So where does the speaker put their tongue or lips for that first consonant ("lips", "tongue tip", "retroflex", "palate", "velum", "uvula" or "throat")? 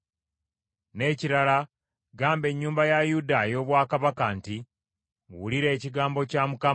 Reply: tongue tip